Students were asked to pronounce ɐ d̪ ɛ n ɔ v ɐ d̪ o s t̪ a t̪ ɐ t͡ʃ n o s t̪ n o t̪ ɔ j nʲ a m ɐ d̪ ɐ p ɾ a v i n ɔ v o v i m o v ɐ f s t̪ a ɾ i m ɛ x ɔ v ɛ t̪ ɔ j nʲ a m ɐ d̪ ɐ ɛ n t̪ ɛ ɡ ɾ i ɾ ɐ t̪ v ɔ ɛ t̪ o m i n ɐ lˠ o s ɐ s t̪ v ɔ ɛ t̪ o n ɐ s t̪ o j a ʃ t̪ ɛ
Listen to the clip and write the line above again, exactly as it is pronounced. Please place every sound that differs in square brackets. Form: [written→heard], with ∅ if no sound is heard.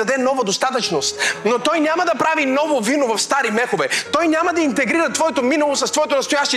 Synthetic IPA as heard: ɐ d̪ ɛ n ɔ v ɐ d̪ o s t̪ a t̪ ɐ t͡ʃ n o s t̪ n o t̪ ɔ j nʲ a m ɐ d̪ ɐ p ɾ a v i n ɔ v o v i [m→n] o v ɐ f s t̪ a ɾ i m ɛ x [ɔ→o] v ɛ t̪ ɔ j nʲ a m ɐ d̪ ɐ [ɛ→i] n t̪ ɛ ɡ ɾ i ɾ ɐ t̪ v ɔ ɛ t̪ o m i n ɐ lˠ o s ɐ s t̪ v ɔ ɛ t̪ o n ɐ s t̪ o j a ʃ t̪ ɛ